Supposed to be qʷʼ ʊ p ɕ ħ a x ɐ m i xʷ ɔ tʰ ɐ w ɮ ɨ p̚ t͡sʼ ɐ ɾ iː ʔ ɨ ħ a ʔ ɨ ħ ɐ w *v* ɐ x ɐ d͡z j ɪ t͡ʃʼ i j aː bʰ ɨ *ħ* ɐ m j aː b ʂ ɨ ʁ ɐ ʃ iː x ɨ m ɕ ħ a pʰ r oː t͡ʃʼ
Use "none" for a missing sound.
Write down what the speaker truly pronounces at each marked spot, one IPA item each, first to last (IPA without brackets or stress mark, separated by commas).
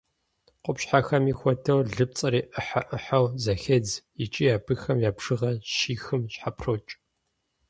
z, x